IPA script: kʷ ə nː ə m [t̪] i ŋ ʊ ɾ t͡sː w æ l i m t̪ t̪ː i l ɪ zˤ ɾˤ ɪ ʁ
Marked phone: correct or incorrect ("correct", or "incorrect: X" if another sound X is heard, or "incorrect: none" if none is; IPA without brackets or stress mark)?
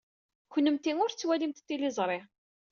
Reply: correct